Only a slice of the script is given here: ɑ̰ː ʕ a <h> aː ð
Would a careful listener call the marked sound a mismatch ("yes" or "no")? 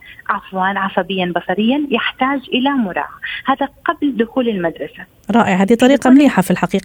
no